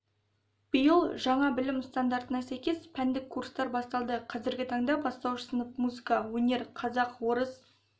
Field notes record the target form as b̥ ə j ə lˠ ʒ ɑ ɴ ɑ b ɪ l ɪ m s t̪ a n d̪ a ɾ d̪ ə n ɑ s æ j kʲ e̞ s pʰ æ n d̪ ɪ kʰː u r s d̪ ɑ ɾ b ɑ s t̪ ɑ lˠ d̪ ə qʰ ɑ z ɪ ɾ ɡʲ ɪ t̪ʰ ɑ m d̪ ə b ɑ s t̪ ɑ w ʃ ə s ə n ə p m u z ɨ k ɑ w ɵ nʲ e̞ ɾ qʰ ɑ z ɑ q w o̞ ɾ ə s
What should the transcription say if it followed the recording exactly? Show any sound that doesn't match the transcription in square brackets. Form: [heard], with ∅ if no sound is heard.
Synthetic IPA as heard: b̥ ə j ə lˠ ʒ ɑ ɴ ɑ b ɪ l ɪ m s t̪ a n d̪ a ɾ [t̪] ə n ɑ s æ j kʲ e̞ s pʰ æ n d̪ ɪ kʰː u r s [t̪] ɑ ɾ b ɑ s t̪ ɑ lˠ d̪ ə qʰ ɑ z ɪ ɾ ɡʲ ɪ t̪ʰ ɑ [ɴ] d̪ [ɑ] b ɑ s t̪ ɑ w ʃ ə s ə n ə p m u z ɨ k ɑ w ɵ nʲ e̞ ɾ qʰ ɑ z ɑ q w o̞ ɾ ə s